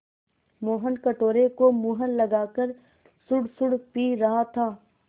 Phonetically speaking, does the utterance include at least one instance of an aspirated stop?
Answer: yes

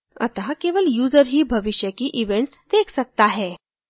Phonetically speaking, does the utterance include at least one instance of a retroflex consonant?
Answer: yes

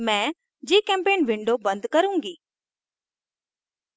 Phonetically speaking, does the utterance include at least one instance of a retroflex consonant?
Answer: yes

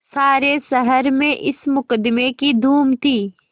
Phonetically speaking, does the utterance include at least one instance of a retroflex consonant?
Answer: no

